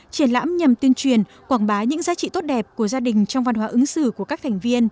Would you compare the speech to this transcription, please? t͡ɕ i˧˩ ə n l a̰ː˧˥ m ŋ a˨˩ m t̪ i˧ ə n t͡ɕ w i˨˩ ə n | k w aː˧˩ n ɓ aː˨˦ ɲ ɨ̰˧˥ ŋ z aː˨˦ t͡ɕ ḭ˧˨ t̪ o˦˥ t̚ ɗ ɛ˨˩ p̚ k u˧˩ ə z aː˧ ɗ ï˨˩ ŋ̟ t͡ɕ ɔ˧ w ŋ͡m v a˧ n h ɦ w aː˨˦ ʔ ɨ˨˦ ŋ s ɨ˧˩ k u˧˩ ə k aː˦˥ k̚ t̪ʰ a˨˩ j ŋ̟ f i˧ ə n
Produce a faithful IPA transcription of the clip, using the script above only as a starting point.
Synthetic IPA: t͡ɕ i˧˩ ə n l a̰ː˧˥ m ɲ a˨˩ m t̪ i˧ ə n t͡ɕ w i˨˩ ə n | k w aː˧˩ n ɓ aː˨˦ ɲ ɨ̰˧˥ ŋ z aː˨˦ t͡ɕ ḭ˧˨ t̪ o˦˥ t̚ ɗ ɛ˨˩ p̚ k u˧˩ ə z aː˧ ɗ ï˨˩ ŋ̟ t͡ɕ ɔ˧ w ŋ͡m v a˧ n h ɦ w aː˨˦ ʔ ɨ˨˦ ŋ s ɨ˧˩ k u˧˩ ə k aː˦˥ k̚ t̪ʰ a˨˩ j ŋ̟ v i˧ ə n